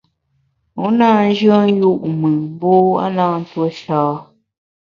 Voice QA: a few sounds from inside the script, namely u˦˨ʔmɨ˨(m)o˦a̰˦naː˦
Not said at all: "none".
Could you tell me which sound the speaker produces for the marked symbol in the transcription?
b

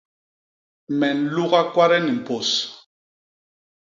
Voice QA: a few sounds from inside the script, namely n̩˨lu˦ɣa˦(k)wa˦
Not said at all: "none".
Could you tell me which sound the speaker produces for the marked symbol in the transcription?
k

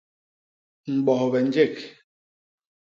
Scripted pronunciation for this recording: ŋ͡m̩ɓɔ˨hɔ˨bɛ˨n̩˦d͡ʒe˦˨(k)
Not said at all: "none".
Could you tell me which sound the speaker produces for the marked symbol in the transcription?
k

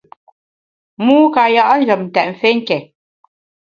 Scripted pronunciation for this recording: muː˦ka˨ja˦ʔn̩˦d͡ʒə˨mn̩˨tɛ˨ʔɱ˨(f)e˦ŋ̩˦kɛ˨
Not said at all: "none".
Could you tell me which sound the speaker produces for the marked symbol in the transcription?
f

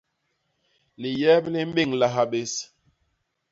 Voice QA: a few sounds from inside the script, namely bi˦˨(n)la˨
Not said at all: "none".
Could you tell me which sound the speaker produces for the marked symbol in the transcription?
ŋ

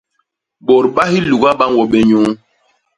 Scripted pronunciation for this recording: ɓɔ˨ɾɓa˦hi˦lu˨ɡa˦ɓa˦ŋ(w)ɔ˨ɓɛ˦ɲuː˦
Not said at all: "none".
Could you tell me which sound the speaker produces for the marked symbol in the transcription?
w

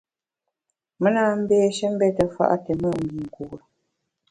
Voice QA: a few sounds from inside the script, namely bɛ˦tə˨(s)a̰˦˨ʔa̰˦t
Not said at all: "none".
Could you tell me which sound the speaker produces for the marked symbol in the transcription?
f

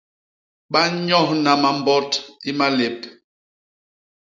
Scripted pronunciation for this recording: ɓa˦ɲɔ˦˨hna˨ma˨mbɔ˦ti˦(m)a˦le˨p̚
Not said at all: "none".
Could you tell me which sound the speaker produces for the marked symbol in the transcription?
m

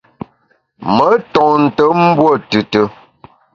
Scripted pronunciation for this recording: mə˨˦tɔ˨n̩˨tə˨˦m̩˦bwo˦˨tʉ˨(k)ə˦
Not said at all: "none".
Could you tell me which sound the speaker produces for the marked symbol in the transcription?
t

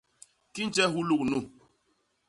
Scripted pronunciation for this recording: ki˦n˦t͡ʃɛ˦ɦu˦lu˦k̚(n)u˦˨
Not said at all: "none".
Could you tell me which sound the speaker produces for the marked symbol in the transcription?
n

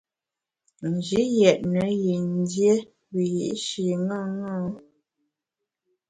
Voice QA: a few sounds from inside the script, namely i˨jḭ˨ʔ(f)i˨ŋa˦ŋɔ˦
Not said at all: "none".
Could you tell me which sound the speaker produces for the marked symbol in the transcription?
ʃ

